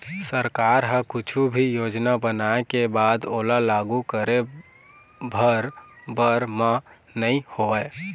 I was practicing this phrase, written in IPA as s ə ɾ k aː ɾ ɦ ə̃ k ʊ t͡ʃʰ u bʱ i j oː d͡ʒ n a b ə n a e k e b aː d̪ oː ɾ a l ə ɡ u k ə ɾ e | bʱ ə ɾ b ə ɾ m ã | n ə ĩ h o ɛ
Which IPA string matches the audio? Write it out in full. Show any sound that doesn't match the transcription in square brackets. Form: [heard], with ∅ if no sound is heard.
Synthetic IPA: s ə ɾ k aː ɾ ɦ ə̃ k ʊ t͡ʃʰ u bʱ i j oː d͡ʒ n a b ə n a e k e b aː d̪ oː [l] a l [a] ɡ u k ə ɾ e | bʱ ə ɾ b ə ɾ m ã | n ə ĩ h o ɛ